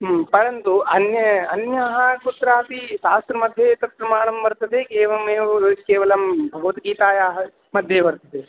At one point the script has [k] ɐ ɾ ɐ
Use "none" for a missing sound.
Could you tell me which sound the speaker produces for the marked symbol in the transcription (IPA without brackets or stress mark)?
p